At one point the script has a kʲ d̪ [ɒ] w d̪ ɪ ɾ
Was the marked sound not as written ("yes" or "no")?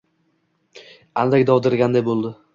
no